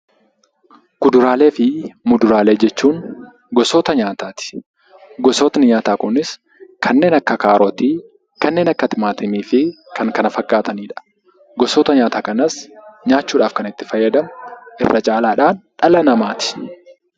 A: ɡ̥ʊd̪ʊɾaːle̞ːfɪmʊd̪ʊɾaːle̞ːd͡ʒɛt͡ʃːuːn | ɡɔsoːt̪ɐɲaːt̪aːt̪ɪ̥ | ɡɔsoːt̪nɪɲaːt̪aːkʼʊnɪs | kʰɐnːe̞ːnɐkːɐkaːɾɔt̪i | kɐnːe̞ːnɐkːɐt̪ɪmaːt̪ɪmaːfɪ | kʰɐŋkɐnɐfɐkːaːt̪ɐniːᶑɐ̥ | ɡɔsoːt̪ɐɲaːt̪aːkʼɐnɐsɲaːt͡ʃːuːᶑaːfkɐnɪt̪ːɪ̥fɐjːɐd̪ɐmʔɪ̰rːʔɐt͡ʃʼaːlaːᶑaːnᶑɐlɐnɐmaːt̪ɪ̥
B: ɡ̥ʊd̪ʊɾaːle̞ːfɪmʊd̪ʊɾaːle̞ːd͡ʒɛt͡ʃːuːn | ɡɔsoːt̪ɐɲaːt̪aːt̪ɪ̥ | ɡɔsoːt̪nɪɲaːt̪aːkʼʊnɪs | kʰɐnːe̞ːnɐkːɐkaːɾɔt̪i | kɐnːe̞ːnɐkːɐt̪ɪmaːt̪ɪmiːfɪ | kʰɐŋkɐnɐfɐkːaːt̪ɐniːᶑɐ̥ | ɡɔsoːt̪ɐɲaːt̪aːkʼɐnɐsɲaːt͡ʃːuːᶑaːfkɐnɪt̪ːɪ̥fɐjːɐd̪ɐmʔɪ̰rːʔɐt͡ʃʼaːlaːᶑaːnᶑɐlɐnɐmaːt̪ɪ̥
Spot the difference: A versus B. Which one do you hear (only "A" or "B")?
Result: B